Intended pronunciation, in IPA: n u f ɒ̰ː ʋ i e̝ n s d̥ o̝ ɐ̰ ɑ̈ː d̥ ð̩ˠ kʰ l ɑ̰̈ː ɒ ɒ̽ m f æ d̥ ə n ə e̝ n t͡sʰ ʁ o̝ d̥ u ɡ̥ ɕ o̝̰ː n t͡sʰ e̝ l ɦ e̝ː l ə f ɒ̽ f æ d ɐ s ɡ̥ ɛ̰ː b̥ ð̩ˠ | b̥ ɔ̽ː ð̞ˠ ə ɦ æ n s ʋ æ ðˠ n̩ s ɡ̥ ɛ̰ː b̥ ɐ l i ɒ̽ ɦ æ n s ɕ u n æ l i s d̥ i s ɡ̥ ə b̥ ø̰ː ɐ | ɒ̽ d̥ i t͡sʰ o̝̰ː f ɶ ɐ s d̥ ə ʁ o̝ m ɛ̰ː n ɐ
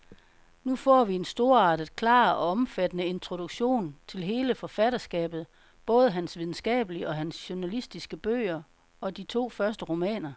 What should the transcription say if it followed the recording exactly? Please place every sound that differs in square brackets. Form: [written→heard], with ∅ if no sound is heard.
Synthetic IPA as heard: n u f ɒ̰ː ʋ i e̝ n s d̥ o̝ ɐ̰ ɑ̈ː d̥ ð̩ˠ kʰ l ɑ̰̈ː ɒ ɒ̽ m f æ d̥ ə n ə e̝ n t͡sʰ ʁ o̝ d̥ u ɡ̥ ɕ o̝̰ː n t͡sʰ e̝ l ɦ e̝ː l ə f ɒ̽ f æ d ɐ s ɡ̥ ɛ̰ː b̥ ð̩ˠ | b̥ ɔ̽ː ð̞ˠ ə ɦ æ n s ʋ [æ→i] ðˠ n̩ s ɡ̥ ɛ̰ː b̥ [ɐ→ə] l i ɒ̽ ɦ æ n s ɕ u n æ l i s d̥ i s ɡ̥ ə b̥ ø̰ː ɐ | ɒ̽ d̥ i t͡sʰ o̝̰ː f ɶ ɐ s d̥ ə ʁ o̝ m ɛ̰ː n ɐ